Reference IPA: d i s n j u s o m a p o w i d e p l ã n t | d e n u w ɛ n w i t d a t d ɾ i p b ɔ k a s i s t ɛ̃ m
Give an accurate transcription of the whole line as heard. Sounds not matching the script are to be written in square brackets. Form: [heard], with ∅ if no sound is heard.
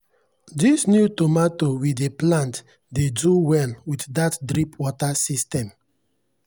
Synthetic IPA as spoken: d i s n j u [t] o m a [t] o w i d e p l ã n t | d e [d] u w ɛ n w i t d a t d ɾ i p [w] ɔ [t] a s i s t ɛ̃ m